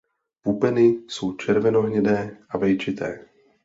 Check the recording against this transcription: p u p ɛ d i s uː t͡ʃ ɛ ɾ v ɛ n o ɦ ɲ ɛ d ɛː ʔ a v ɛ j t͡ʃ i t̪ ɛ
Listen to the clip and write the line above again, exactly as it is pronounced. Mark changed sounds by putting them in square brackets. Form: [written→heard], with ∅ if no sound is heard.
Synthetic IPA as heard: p u p ɛ [d→n] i s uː t͡ʃ ɛ ɾ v ɛ n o ɦ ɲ ɛ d ɛː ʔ a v ɛ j t͡ʃ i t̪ [ɛ→ɛː]